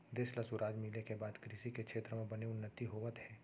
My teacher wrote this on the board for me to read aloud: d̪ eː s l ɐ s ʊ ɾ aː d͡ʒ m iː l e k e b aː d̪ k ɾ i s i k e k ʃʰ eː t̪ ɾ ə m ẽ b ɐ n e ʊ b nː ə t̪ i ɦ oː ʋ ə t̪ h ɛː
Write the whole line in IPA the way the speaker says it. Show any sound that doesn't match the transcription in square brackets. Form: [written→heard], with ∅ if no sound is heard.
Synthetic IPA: d̪ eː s l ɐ s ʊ ɾ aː d͡ʒ m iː l e k e b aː d̪ k ɾ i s i k e k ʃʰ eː t̪ ɾ ə m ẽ b ɐ n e ʊ [b→∅] nː ə t̪ i ɦ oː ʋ ə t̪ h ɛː